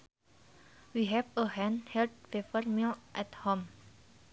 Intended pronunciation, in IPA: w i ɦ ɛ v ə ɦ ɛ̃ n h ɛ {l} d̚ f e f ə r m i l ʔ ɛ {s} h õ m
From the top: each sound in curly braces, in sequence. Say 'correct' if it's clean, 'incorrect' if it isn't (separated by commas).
correct, incorrect